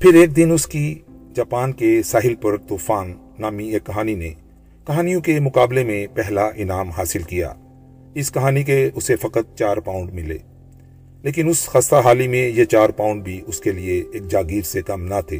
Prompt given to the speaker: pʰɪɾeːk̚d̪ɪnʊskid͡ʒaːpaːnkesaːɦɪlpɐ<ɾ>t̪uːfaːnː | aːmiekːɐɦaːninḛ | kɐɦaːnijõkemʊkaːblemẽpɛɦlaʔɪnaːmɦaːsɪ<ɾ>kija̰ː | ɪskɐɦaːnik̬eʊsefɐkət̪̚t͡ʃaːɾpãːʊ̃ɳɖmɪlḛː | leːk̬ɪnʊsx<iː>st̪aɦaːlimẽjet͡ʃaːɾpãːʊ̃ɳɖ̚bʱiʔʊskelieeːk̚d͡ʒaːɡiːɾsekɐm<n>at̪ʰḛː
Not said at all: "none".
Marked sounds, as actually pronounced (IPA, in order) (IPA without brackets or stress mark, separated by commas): ɾ, l, aː, n